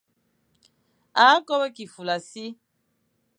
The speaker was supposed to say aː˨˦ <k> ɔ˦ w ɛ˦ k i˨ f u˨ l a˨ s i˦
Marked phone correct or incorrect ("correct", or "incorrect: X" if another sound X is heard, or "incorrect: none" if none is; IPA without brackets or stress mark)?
correct